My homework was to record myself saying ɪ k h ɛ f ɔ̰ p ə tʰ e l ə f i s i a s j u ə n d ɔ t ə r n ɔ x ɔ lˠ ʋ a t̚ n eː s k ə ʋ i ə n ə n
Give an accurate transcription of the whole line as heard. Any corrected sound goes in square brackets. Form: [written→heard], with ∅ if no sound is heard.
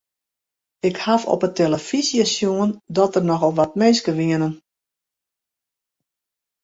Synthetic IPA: ɪ k h [ɛ→a] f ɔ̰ p ə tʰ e l ə f i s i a s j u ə n d ɔ t ə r n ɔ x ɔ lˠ ʋ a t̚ [n→m] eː s k ə ʋ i ə n ə n